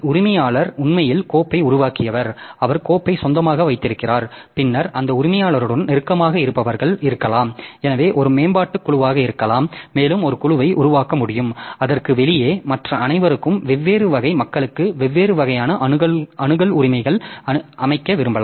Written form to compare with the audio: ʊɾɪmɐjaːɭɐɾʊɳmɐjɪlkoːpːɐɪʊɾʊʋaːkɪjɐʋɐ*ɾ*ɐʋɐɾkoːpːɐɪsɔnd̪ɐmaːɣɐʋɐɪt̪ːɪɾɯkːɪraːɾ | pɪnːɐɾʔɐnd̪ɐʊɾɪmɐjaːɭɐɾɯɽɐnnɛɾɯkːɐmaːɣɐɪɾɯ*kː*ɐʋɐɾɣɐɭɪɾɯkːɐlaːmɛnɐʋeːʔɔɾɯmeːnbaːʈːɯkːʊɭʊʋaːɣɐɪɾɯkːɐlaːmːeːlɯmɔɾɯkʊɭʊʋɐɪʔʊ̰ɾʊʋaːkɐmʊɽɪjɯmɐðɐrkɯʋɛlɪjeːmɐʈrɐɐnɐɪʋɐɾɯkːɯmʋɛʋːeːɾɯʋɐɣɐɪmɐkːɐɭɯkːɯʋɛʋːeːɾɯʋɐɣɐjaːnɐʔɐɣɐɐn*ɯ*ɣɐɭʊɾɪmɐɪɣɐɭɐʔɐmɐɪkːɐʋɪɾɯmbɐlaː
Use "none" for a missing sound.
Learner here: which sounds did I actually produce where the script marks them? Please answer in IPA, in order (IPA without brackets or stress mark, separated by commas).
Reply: ɾ, pː, ɯ